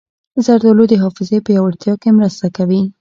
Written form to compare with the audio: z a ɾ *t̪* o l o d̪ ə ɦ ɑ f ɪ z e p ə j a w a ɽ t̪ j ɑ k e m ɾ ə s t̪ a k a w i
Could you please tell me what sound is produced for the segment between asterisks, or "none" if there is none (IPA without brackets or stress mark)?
d̪